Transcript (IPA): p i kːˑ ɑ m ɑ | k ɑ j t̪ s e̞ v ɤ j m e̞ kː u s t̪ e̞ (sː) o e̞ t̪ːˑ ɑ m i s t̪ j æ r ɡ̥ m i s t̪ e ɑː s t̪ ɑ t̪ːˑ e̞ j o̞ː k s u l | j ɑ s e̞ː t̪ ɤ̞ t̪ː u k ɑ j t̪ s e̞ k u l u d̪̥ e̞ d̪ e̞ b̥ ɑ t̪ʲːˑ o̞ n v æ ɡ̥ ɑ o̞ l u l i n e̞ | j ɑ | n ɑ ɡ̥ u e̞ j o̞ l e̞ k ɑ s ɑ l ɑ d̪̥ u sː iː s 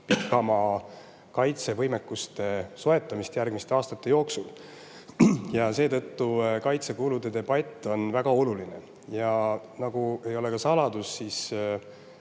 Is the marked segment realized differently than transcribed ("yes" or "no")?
yes